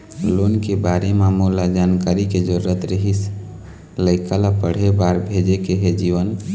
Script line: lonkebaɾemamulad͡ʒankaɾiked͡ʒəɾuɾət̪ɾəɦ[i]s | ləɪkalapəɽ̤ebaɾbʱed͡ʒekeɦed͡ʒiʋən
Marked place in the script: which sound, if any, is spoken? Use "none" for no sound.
i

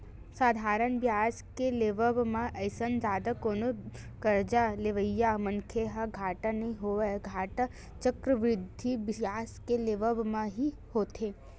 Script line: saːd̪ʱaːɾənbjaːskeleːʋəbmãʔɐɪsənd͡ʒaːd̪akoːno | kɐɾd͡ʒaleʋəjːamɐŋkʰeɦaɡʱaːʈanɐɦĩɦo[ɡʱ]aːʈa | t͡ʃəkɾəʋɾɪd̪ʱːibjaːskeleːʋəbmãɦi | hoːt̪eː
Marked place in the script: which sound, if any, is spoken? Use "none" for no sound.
ɡʱ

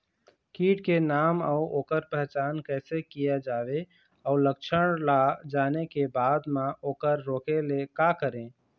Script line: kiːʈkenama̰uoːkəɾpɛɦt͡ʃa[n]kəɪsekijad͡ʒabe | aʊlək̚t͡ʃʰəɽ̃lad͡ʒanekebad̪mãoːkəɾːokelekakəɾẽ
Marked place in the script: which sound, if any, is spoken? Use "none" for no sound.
n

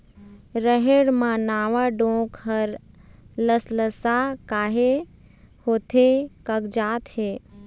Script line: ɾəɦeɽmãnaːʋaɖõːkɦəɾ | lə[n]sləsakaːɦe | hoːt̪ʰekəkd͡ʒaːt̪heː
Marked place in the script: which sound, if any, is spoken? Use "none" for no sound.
none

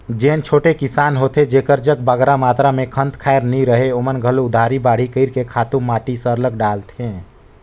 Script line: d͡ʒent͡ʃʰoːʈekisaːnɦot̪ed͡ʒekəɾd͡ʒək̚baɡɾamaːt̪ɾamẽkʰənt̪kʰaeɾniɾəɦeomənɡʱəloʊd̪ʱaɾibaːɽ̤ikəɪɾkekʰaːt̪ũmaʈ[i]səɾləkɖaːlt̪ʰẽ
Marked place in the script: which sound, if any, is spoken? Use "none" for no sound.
i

